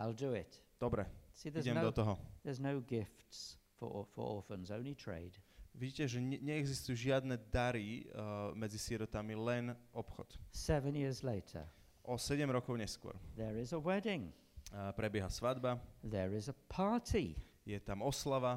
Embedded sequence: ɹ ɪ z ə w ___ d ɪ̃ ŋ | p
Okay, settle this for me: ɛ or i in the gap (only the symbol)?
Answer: ɛ